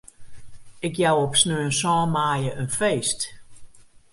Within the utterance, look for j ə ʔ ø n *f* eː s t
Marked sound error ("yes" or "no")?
no